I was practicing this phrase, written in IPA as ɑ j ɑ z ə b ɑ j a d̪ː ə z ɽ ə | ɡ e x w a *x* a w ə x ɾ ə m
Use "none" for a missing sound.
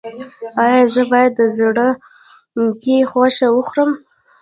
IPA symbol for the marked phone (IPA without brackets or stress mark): ʃ